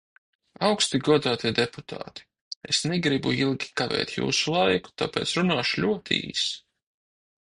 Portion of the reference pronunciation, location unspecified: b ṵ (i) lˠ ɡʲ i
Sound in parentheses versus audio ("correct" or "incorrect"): correct